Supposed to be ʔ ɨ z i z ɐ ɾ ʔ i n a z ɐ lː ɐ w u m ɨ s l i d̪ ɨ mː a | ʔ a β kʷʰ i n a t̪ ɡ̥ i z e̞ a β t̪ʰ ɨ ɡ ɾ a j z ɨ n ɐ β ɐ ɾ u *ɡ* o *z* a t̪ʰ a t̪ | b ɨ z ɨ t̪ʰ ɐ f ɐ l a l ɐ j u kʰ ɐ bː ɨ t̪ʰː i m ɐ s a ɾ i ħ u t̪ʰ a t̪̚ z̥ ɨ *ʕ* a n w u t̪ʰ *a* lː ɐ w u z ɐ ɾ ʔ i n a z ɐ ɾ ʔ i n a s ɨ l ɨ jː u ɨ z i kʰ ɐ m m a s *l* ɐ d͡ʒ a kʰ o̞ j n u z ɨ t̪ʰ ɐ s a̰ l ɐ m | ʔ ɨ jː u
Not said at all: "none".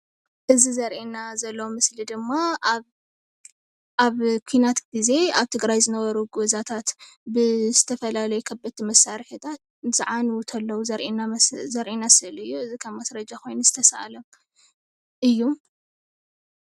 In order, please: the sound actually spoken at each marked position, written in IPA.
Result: ɡ, z, ʕ, ɐ, ɾ

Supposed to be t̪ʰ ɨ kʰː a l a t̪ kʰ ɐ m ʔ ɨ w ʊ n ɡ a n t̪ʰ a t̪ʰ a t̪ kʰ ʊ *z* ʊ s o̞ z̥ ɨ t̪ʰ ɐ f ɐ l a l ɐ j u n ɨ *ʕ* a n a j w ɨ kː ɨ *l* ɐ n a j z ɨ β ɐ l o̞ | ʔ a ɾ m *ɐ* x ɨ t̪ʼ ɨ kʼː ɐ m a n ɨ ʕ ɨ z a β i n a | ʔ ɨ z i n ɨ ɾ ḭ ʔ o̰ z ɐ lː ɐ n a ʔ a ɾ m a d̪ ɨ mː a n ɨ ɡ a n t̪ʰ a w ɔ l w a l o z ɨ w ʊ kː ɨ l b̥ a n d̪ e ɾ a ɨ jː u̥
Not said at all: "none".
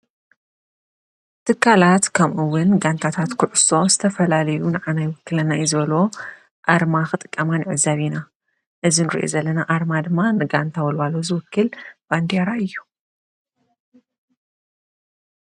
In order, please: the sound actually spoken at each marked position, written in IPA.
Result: ʕ, ʕ, l, a

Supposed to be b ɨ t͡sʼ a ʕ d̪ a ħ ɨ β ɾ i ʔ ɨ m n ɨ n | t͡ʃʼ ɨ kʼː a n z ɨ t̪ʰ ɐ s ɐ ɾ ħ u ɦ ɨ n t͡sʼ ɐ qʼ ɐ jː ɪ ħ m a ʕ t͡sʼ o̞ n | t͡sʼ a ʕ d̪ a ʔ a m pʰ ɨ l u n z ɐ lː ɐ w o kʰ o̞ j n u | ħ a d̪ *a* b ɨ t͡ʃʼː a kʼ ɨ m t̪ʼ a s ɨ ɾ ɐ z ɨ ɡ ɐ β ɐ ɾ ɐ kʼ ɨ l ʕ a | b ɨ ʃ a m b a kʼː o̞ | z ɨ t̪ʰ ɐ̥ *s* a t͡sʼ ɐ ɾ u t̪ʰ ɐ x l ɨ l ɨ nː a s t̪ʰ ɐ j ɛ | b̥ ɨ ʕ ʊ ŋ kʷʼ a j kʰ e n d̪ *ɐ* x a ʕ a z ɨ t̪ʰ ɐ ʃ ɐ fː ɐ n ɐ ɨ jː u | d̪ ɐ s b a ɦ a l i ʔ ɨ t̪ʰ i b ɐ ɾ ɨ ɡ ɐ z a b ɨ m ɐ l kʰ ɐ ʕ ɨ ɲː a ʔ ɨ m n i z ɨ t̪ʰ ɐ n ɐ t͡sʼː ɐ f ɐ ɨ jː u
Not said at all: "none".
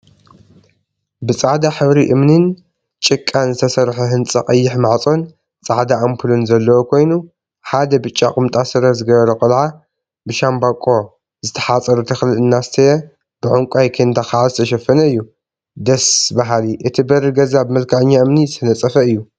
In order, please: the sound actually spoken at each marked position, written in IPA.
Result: ɐ, ħ, a

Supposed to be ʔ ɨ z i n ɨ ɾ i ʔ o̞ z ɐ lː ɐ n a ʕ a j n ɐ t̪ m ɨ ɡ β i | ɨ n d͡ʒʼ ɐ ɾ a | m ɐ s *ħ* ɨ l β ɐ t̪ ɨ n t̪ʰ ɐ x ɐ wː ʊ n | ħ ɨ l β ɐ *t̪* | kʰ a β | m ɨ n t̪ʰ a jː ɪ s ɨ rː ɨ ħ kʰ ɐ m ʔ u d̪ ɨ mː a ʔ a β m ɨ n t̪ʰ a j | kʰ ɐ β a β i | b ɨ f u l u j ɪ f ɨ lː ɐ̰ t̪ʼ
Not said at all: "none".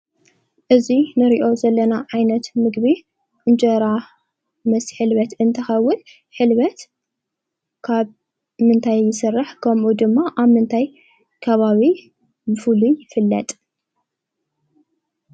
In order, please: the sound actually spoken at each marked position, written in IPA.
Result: ħ, t̪

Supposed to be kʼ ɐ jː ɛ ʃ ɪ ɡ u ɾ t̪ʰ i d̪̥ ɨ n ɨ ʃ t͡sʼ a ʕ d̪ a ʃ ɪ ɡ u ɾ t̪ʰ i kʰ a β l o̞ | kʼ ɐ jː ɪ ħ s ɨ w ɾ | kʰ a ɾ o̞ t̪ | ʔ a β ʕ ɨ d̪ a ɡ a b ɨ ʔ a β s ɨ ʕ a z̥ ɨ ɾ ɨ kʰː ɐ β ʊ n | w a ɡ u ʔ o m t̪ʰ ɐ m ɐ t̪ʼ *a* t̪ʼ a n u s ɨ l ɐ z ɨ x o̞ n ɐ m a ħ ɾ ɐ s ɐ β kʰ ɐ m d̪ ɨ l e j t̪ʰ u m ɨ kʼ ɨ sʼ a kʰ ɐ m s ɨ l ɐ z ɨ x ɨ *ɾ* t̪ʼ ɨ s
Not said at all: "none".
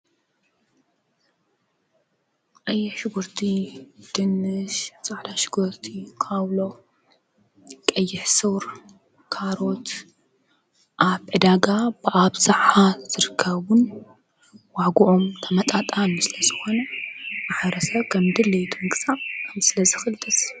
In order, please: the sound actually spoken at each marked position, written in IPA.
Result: a, l

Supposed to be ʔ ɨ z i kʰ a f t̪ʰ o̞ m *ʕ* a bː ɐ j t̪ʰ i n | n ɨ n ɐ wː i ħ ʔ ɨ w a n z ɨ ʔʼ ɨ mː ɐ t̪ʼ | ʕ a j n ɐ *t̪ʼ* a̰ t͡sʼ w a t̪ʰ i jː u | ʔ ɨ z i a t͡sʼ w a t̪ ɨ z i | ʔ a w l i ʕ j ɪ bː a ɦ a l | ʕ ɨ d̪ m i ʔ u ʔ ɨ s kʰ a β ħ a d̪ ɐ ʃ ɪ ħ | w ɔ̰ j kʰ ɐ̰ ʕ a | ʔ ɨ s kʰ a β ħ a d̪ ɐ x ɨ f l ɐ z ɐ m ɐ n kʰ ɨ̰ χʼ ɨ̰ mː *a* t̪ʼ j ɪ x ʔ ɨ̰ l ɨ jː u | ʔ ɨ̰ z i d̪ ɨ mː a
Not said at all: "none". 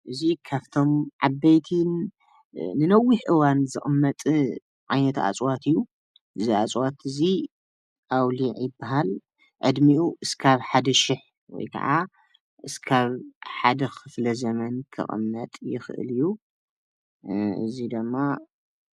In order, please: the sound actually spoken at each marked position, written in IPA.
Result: ʕ, t̪, ɐ

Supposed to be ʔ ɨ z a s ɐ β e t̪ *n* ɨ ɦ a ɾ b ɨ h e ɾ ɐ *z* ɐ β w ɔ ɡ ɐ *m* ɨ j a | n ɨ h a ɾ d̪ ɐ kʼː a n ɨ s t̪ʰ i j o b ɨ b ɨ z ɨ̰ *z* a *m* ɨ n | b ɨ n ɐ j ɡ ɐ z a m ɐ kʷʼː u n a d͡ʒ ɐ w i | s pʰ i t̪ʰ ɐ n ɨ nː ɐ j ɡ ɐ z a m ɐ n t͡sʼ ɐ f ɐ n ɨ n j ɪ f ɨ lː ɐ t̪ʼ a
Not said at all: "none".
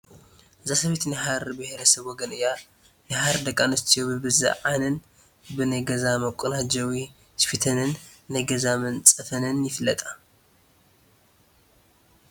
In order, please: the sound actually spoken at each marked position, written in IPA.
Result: n, s, n, ʕ, n

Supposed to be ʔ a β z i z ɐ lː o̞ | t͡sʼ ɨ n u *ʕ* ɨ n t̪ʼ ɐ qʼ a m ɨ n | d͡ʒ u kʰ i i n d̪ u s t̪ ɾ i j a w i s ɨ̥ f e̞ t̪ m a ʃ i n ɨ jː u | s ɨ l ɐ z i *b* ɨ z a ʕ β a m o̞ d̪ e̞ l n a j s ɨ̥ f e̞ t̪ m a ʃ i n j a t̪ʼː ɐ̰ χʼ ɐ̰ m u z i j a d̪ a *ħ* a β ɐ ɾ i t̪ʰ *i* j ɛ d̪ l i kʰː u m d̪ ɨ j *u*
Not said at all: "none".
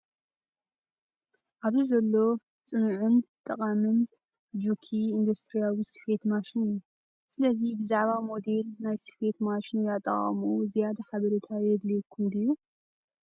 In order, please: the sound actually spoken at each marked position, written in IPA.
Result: ʕ, b, ħ, a, u

